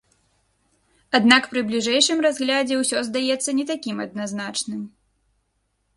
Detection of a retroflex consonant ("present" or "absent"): present